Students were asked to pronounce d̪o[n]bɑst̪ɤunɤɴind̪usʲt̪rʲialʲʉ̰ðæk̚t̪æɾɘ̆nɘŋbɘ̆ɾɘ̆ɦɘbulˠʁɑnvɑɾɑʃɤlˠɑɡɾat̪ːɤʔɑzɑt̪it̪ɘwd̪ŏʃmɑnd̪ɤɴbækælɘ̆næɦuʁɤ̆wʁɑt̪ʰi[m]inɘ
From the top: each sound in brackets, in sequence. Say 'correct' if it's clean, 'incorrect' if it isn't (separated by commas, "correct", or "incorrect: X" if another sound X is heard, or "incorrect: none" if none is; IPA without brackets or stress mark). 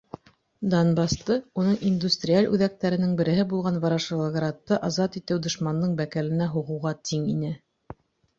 correct, incorrect: ŋ